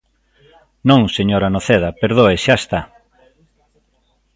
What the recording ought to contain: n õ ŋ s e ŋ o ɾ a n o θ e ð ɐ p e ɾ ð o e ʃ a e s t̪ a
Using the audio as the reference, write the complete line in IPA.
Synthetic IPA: n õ ŋ s e ɲ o ɾ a n o θ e ð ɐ p e ɾ ð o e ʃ a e s t̪ a